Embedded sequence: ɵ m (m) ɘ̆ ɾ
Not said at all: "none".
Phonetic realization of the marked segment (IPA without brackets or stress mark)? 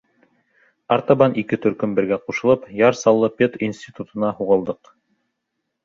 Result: b